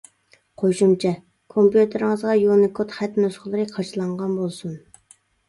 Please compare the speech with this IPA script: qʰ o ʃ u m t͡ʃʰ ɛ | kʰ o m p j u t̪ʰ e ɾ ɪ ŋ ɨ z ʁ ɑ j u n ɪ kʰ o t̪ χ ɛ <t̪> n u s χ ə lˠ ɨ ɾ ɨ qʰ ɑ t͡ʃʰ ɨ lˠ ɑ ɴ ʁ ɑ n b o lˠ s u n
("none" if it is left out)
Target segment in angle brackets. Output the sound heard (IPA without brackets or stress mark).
t̪